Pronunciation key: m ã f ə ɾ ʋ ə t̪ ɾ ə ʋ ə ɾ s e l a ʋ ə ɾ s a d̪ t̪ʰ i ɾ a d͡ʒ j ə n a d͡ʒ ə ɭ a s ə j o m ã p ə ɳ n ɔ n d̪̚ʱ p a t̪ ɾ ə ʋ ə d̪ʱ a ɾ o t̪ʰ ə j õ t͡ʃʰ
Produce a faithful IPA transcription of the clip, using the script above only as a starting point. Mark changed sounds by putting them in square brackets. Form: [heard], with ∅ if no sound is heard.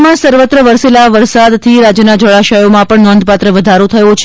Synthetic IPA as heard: m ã [s] ə ɾ ʋ ə t̪ ɾ ə ʋ ə ɾ s e l a ʋ ə ɾ s a d̪ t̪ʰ i ɾ a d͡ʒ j ə n a d͡ʒ ə ɭ a [ʃ] ə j o m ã p ə ɳ n ɔ n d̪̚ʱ p a t̪ ɾ ə ʋ ə d̪ʱ a ɾ o t̪ʰ ə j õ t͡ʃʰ